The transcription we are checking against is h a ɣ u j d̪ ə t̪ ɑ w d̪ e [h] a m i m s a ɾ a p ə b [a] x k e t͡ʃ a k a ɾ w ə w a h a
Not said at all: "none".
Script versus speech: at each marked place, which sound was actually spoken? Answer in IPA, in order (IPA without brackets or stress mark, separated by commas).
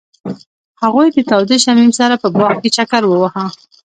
ʃ, ɑ